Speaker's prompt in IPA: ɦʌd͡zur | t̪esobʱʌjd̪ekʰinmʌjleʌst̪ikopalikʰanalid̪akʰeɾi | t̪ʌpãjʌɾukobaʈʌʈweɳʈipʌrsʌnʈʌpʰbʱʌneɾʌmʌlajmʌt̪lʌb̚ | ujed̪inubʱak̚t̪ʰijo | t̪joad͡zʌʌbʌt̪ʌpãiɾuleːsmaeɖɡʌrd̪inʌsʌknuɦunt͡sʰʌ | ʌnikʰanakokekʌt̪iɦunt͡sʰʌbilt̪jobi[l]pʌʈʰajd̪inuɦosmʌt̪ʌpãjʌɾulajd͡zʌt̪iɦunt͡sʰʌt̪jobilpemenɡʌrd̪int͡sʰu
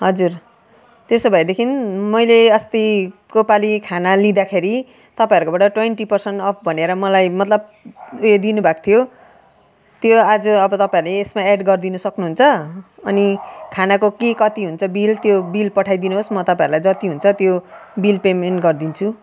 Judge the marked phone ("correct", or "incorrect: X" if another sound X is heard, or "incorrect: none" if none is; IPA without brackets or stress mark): correct